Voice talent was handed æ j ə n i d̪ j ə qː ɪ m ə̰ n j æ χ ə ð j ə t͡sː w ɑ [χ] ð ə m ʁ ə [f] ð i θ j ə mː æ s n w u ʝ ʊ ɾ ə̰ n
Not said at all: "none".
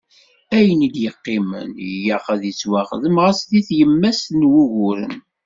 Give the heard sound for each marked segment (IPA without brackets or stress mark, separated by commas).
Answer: χ, s